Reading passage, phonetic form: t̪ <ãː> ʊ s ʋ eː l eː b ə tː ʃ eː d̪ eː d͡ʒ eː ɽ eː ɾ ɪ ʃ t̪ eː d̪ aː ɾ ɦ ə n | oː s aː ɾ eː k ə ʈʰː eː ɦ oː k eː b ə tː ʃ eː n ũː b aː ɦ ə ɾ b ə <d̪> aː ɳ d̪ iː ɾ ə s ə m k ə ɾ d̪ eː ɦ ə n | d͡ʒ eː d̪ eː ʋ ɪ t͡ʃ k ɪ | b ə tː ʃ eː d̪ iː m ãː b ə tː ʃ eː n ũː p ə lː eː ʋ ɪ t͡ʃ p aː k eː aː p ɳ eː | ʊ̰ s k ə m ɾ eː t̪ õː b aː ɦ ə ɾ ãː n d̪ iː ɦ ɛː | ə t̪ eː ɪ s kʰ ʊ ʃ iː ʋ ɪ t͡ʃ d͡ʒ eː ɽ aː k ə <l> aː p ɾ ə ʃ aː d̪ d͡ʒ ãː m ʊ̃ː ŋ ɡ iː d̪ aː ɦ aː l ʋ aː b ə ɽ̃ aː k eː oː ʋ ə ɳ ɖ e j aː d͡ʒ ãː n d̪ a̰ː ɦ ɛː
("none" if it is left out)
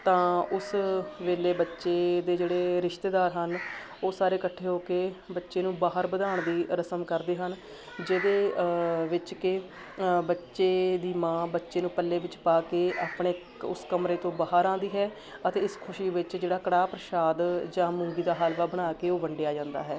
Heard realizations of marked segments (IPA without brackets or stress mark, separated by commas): ãː, d̪, ɽ